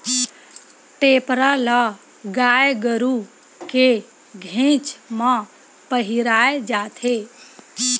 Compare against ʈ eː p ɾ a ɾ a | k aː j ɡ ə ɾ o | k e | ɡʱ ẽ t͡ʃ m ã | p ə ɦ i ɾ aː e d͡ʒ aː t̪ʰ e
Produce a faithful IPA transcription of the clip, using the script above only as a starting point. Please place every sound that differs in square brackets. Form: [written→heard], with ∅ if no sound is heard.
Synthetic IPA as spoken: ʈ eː p ɾ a [ɾ→l] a | [k→ɡ] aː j ɡ ə ɾ [o→u] | k e | ɡʱ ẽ t͡ʃ m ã | p ə ɦ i ɾ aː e d͡ʒ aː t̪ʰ e